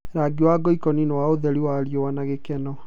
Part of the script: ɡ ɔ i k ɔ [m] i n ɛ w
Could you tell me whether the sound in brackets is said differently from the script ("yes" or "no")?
yes